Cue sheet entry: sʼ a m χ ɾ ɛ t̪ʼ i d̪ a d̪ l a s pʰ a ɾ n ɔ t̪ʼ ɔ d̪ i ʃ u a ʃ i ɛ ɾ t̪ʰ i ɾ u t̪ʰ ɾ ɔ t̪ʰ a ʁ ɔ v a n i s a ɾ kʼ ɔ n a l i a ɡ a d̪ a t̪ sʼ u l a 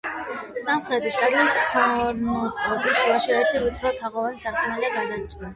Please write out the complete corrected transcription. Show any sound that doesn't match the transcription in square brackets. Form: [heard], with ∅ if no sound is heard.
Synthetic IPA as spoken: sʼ a m χ ɾ ɛ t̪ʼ i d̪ a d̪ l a s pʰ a ɾ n ɔ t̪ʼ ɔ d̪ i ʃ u a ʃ i ɛ ɾ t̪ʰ i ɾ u t̪ʰ ɾ ɔ t̪ʰ a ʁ ɔ v a n i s a ɾ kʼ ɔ n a l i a ɡ a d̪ a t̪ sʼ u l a